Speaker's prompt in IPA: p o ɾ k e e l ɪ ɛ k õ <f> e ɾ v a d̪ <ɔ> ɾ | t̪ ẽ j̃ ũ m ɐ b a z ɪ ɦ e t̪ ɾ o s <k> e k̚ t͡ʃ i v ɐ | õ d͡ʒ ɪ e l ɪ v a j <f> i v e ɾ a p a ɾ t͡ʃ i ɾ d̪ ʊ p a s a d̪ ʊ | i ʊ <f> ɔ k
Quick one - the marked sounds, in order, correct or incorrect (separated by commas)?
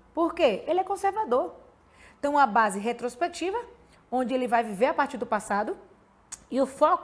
incorrect, incorrect, incorrect, incorrect, correct